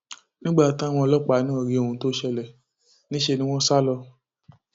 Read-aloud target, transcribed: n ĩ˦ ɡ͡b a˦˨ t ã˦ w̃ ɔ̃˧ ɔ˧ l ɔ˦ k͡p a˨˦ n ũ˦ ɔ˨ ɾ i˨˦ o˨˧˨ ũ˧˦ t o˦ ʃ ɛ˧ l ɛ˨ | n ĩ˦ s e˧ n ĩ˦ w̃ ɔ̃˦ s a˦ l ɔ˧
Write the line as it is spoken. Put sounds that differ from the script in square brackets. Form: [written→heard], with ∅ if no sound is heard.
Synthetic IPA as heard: n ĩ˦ ɡ͡b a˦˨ t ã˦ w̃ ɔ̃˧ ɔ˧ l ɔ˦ k͡p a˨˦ n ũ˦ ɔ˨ ɾ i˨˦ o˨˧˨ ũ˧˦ t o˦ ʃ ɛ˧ l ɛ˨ | n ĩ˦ [s→ʃ] e˧ n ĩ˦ w̃ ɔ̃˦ s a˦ l ɔ˧